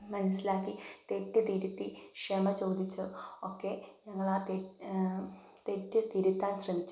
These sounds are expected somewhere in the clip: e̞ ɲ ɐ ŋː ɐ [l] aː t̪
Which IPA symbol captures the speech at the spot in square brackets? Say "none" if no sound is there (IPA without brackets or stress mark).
ɭ